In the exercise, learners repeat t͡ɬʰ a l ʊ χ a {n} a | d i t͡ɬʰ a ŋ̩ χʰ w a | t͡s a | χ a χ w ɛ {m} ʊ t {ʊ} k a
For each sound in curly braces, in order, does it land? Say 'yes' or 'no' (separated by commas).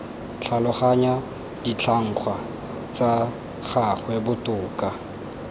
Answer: no, no, no